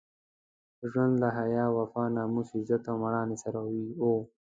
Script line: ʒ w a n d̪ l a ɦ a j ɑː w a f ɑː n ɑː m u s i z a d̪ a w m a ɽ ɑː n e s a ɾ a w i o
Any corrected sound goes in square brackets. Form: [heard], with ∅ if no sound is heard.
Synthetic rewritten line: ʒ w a n d̪ l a ɦ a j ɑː w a f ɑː n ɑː m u s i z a [t̪] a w m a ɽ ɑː n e s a ɾ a w i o

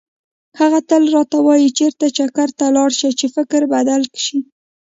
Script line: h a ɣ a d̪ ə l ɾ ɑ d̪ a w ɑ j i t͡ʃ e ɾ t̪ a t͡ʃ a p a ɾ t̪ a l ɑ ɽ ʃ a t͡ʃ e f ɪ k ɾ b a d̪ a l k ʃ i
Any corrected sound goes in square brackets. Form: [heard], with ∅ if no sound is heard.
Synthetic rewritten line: h a ɣ a [t̪] ə l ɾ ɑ [t̪] a w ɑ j i t͡ʃ e ɾ t̪ a t͡ʃ a [k] a ɾ t̪ a l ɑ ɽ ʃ a t͡ʃ e f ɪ k ɾ b a d̪ a l k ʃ i

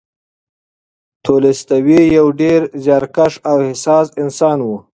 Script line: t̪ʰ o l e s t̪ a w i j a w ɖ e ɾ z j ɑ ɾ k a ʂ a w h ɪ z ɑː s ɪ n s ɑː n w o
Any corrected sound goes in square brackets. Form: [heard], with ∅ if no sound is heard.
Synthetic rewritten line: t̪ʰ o l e s t̪ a w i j a w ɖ e ɾ z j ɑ ɾ k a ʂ a w h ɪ [s] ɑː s ɪ n s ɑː n w [u]

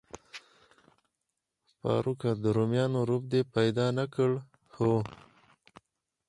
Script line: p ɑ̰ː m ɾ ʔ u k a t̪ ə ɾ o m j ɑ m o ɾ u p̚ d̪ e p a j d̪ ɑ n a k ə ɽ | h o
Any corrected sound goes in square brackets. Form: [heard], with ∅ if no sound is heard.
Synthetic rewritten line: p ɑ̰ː [∅] ɾ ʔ u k a [d̪] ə ɾ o m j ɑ [n] o ɾ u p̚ d̪ e p a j d̪ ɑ n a k ə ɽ | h o

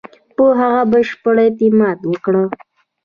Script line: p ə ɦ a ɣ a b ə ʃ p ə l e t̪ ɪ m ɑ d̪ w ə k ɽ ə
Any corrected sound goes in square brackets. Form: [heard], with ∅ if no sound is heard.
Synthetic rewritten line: p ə ɦ a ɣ a b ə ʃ p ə [ɽ] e t̪ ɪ m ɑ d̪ w ə k ɽ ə

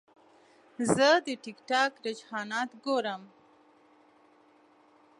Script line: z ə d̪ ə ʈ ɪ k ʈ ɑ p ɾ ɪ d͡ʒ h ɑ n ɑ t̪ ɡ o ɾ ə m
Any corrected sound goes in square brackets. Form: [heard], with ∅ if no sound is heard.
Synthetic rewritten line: z ə d̪ ə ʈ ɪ k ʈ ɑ [k] ɾ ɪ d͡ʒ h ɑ n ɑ t̪ ɡ o ɾ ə m

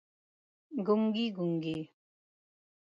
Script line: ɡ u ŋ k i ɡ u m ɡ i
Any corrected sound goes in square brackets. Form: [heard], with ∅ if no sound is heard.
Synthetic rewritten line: ɡ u ŋ [ɡ] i ɡ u [ŋ] ɡ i

